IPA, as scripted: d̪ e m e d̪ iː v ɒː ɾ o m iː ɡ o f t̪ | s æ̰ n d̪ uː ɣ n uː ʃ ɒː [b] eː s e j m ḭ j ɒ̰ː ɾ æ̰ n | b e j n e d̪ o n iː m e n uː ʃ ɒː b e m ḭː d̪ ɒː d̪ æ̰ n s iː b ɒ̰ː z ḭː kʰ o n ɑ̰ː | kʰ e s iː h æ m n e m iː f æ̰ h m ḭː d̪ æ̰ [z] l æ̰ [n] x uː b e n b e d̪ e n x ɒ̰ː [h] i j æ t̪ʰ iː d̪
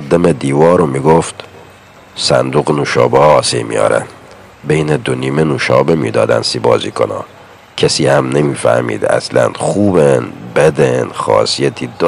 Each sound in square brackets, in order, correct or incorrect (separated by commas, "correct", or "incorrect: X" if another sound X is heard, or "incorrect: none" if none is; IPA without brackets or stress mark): correct, incorrect: s, correct, incorrect: s